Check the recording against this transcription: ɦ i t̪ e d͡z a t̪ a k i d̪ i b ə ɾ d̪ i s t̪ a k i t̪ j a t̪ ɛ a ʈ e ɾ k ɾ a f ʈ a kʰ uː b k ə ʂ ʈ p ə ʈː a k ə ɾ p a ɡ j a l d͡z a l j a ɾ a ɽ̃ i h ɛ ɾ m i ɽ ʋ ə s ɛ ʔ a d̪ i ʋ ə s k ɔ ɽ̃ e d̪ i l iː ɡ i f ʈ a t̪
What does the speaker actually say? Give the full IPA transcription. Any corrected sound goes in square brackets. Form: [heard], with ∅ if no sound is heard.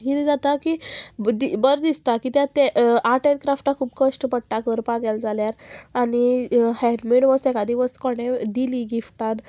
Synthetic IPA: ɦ i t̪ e d͡z a t̪ a k i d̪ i b ə ɾ d̪ i s t̪ a k i t̪ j a t̪ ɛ a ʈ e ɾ k ɾ a f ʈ a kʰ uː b k ə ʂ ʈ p ə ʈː a k ə ɾ p a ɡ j a l d͡z a l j a ɾ a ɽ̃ i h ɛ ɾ m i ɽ ʋ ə s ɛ [k] a d̪ i ʋ ə s k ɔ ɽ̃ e d̪ i l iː ɡ i f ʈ a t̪